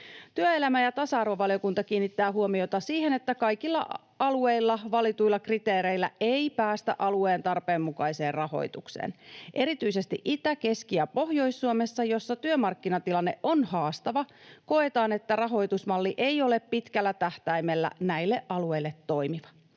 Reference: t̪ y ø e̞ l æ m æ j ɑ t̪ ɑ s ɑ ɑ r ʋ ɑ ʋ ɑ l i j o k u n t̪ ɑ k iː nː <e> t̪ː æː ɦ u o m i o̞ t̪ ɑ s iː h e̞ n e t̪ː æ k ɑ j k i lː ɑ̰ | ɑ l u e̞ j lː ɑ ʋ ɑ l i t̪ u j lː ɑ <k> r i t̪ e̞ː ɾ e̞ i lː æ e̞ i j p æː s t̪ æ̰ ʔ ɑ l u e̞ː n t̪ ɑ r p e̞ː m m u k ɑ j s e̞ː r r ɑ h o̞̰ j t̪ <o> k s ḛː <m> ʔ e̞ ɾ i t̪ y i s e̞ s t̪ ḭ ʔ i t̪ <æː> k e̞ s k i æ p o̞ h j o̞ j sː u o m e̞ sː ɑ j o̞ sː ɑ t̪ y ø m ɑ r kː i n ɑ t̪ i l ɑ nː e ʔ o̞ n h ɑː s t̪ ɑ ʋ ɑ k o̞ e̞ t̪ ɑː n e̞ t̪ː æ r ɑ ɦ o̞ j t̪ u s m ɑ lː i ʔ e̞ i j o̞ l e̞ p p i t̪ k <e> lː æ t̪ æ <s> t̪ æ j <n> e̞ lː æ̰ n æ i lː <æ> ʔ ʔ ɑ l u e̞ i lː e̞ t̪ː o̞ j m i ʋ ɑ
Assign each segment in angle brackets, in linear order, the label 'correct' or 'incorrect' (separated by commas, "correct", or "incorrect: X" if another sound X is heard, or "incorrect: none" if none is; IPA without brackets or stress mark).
incorrect: i, correct, incorrect: u, incorrect: n, incorrect: æ, incorrect: æ, incorrect: h, incorrect: m, incorrect: e